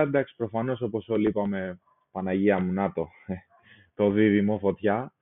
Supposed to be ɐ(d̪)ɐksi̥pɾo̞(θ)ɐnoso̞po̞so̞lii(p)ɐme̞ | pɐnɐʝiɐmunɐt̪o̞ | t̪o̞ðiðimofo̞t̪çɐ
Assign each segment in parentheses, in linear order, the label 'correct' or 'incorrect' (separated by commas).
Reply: correct, incorrect, correct